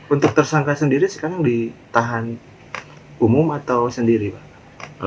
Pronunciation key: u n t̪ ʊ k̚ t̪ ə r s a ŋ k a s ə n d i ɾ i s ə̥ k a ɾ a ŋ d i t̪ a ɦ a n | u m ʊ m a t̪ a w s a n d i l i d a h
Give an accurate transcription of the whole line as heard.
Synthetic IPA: u n t̪ ʊ k̚ t̪ ə r s a ŋ k a s ə n d i ɾ i s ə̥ k a ɾ a ŋ d i t̪ a ɦ a n | u m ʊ m a t̪ a w s ə n d i ɾ i b a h